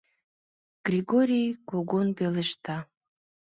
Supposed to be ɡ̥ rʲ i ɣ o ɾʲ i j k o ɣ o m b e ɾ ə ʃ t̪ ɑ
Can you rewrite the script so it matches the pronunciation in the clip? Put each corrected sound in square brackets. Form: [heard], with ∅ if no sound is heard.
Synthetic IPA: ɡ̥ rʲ i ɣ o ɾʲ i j k o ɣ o [n] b e [l] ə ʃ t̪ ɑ